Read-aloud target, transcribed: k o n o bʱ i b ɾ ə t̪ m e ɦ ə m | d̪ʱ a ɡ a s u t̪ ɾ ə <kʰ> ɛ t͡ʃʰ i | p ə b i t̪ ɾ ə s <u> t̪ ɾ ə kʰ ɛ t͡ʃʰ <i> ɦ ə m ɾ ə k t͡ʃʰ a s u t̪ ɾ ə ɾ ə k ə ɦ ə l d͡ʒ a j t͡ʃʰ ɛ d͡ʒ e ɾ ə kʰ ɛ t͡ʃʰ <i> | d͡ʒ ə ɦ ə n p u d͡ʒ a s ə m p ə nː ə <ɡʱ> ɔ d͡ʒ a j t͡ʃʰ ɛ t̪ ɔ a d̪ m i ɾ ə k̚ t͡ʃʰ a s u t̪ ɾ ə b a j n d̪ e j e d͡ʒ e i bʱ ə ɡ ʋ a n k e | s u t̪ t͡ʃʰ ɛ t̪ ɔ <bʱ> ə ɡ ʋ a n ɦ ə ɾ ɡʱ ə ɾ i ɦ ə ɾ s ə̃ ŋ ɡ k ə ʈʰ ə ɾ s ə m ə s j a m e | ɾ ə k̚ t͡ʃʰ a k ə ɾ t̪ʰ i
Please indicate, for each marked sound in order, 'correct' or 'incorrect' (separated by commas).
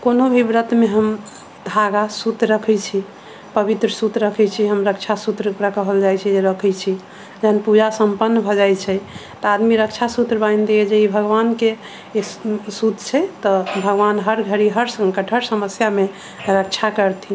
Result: correct, correct, correct, correct, incorrect, correct